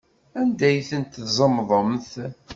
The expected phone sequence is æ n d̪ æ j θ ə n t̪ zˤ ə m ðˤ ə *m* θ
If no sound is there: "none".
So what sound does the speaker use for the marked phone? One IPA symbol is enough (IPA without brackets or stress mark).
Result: m